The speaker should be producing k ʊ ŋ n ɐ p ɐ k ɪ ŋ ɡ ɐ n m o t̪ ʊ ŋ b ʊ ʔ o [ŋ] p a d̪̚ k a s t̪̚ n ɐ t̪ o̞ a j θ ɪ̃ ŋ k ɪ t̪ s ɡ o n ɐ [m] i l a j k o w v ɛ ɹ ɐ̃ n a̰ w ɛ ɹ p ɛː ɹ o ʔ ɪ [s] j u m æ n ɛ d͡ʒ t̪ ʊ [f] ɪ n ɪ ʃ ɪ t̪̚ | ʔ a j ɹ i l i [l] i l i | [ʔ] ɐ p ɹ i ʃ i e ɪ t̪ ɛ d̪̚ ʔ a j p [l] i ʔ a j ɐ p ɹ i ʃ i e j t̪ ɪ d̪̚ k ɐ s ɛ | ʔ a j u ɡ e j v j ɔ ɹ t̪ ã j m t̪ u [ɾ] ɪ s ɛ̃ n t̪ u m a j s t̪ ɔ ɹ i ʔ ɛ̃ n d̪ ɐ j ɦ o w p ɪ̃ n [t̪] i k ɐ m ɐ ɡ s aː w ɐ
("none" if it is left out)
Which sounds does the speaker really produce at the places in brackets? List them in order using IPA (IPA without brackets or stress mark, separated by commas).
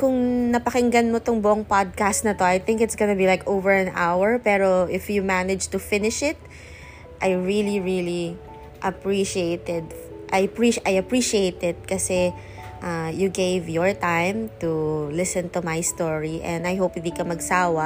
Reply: ŋ, b, f, f, ɹ, ʔ, ɹ, l, d̪